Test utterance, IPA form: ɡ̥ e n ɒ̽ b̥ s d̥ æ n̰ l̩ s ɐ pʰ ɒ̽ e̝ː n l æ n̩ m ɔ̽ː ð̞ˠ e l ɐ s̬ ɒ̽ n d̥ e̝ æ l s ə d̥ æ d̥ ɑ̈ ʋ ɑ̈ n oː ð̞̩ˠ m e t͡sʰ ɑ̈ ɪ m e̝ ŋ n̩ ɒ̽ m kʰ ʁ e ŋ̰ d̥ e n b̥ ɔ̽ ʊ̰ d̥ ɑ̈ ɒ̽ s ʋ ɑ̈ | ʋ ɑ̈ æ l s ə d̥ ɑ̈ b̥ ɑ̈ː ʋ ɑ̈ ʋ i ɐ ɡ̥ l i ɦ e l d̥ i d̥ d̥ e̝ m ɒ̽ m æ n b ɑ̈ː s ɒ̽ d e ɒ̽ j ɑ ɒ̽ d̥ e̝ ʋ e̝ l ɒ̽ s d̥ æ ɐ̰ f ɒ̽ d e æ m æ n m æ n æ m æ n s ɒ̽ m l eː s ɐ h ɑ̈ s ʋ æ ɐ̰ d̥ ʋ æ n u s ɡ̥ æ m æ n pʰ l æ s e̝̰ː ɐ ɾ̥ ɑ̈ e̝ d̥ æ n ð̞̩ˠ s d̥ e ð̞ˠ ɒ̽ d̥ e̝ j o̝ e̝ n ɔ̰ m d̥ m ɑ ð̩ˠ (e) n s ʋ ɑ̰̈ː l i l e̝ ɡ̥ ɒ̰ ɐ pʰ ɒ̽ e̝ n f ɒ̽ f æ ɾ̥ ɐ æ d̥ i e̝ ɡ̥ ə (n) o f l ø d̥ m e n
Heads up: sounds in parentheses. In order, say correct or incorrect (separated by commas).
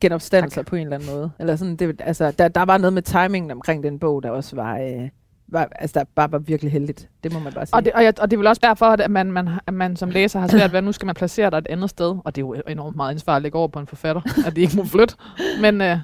incorrect, incorrect